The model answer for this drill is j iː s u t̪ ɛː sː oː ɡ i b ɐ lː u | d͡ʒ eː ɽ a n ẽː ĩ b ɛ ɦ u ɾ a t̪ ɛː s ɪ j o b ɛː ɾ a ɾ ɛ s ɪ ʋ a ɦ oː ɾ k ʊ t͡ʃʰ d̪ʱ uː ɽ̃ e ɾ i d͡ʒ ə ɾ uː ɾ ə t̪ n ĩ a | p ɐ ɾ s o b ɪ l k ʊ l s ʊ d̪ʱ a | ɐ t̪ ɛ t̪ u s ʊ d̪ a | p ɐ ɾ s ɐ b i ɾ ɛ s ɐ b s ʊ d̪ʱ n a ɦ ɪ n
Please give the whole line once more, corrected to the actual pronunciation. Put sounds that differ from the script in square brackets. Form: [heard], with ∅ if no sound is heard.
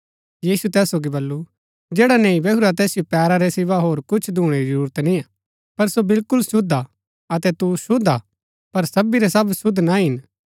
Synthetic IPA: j iː s u t̪ ɛː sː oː ɡ i b ɐ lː u | d͡ʒ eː ɽ a n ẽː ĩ b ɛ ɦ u ɾ a t̪ ɛː s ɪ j o [p] ɛː ɾ a ɾ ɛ s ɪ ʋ a ɦ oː ɾ k ʊ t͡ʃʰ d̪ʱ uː ɽ̃ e ɾ i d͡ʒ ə ɾ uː ɾ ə t̪ n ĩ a | p ɐ ɾ s o b ɪ l k ʊ l s ʊ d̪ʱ a | ɐ t̪ ɛ t̪ u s ʊ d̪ a | p ɐ ɾ s ɐ b i ɾ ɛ s ɐ b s ʊ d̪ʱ n a ɦ ɪ n